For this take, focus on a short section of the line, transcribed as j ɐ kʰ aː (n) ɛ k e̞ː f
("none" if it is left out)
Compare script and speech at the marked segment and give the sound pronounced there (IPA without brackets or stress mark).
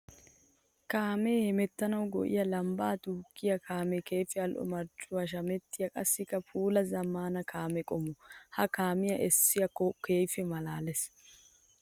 m